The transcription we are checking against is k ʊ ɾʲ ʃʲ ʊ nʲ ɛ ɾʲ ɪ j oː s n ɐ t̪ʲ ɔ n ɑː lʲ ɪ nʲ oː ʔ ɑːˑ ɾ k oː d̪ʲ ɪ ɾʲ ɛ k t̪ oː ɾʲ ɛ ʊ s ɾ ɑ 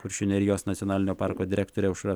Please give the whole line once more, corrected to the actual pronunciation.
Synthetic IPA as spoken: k ʊ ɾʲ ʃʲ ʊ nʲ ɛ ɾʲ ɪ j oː s n ɐ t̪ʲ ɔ n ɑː lʲ ɪ nʲ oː p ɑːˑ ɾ k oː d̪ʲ ɪ ɾʲ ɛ k t̪ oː ɾʲ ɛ ʊ ʃ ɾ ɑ